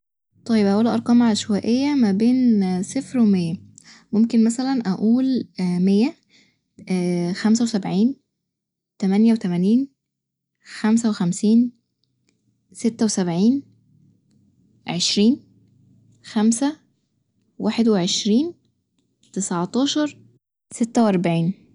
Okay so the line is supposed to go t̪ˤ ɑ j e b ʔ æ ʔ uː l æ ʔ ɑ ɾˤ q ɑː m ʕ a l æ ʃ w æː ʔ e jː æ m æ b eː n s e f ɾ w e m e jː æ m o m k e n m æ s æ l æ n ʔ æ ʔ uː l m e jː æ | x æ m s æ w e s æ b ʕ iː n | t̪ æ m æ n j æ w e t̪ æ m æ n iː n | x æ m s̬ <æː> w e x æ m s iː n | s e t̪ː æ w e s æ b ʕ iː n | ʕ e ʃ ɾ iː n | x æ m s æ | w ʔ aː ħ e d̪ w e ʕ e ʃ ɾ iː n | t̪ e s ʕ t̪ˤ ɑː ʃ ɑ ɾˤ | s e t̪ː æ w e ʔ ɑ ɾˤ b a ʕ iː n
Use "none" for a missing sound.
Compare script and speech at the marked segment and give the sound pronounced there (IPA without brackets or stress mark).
æ